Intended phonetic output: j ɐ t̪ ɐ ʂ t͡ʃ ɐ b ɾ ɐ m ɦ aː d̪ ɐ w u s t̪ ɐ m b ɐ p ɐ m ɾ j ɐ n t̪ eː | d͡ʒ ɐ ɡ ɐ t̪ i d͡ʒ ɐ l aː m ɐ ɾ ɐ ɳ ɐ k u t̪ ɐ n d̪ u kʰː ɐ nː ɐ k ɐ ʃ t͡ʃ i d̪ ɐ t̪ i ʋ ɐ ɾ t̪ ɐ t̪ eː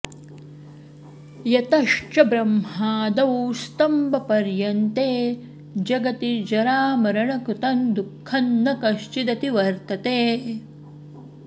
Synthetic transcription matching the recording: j ɐ t̪ ɐ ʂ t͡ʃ ɐ b ɾ ɐ m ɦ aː d̪ ɐ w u s t̪ ɐ m b ɐ p ɐ ɾ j ɐ n t̪ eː | d͡ʒ ɐ ɡ ɐ t̪ i d͡ʒ ɐ ɾ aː m ɐ ɾ ɐ ɳ ɐ k u t̪ ɐ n d̪ u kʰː ɐ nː ɐ k ɐ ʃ t͡ʃ i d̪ ɐ t̪ i ʋ ɐ ɾ t̪ ɐ t̪ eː

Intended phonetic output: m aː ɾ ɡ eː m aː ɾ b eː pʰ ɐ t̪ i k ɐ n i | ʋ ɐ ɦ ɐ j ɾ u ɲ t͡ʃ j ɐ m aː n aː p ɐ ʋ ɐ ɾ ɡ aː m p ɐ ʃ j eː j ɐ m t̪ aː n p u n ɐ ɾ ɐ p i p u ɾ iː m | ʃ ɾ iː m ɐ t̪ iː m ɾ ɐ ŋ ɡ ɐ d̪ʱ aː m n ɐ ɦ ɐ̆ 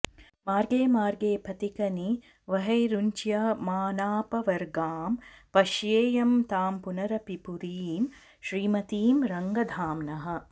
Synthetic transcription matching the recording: m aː ɾ ɡ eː m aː ɾ ɡ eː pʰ ɐ t̪ i k ɐ n i | ʋ ɐ ɦ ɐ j ɾ u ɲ t͡ʃ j ɐ m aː n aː p ɐ ʋ ɐ ɾ ɡ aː m p ɐ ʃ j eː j ɐ m t̪ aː m p u n ɐ ɾ ɐ p i p u ɾ iː m | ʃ ɾ iː m ɐ t̪ iː m ɾ ɐ ŋ ɡ ɐ d̪ʱ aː m n ɐ ɦ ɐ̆

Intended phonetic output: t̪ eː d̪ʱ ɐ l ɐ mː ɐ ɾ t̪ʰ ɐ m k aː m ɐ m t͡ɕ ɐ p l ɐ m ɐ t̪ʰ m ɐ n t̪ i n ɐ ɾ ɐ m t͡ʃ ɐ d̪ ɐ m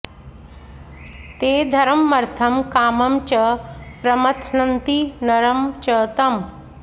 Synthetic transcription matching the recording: t̪ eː d̪ʱ ɐ ɾ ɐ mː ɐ ɾ t̪ʰ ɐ m k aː m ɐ m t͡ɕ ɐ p ɾ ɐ m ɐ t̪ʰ n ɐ n t̪ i n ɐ ɾ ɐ m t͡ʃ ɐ t̪ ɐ m

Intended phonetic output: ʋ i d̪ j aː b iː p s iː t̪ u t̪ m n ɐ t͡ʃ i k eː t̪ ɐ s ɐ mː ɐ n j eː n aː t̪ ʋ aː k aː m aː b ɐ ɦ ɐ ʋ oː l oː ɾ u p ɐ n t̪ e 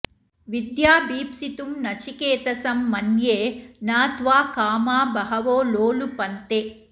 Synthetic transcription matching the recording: ʋ i d̪ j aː b iː p s i t̪ u m n ɐ t͡ʃ i k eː t̪ ɐ s ɐ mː ɐ n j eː n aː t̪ ʋ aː k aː m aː b ɐ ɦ ɐ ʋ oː l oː l u p ɐ n t̪ e

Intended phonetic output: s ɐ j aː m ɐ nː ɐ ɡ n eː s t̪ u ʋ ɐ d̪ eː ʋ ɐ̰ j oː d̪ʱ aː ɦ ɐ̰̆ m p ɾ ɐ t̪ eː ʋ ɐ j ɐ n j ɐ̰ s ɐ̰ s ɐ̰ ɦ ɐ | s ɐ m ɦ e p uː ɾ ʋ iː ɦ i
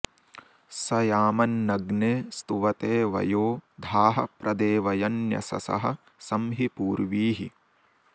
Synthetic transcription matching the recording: s ɐ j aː m ɐ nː ɐ ɡ n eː s t̪ u ʋ ɐ t̪ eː ʋ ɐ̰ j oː d̪ʱ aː ɦ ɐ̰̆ p ɾ ɐ d̪ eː ʋ ɐ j ɐ n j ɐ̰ s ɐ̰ s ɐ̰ ɦ ɐ | s ɐ m ɦ i p uː ɾ ʋ iː ɦ i

